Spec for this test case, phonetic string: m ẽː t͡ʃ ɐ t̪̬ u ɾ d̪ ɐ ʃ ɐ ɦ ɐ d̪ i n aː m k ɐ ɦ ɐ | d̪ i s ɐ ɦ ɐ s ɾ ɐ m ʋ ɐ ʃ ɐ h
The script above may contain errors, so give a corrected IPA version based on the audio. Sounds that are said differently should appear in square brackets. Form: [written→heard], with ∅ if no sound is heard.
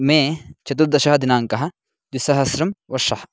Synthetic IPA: m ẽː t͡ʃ ɐ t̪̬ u ɾ d̪ ɐ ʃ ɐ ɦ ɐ d̪ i n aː [m→ŋ] k ɐ ɦ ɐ | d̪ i s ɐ ɦ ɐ s ɾ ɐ m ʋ ɐ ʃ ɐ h